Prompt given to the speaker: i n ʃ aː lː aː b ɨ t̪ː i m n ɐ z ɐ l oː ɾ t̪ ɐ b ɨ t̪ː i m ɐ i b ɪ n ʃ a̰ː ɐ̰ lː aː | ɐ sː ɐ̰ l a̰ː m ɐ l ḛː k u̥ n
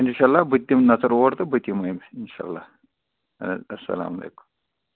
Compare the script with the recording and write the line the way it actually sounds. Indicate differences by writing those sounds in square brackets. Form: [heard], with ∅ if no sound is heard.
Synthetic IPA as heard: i n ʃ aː lː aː b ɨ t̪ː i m n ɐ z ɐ [ɾ] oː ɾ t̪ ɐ b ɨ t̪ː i m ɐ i [m] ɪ n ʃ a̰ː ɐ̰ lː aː | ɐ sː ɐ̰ l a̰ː m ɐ l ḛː k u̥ [m]